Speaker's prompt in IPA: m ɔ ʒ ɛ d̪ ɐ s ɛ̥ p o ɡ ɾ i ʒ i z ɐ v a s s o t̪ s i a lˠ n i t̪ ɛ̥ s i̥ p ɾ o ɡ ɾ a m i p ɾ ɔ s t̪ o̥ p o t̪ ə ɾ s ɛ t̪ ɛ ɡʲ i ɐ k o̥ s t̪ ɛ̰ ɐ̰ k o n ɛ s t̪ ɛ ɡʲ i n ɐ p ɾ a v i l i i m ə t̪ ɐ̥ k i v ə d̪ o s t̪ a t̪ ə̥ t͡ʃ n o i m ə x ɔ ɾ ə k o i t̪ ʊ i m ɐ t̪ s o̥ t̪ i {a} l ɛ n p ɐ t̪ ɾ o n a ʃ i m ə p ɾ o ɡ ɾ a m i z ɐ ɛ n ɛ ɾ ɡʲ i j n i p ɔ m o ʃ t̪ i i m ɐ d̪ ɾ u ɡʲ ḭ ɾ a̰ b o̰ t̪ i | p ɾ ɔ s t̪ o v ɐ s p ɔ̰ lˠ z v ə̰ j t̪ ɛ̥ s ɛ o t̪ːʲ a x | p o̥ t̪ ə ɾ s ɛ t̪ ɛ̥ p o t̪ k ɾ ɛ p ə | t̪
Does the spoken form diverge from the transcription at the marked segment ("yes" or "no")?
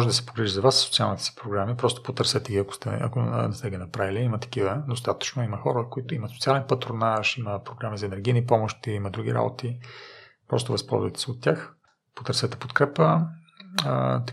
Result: no